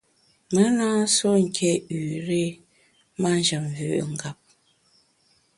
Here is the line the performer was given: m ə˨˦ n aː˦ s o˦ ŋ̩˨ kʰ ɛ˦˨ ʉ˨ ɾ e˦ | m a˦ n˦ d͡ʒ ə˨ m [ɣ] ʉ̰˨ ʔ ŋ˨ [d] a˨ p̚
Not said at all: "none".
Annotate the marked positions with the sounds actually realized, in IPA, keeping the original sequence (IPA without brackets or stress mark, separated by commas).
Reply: v, ɡ